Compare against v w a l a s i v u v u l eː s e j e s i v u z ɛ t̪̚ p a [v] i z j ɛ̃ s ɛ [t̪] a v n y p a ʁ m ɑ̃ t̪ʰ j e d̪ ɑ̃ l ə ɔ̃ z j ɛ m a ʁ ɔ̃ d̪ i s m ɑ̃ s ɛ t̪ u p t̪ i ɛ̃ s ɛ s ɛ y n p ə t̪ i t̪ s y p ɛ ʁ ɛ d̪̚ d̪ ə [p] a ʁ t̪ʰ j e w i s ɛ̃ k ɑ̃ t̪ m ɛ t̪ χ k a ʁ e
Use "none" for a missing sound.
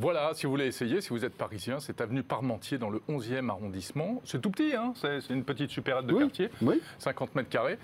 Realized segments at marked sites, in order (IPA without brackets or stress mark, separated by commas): ʁ, t̪, k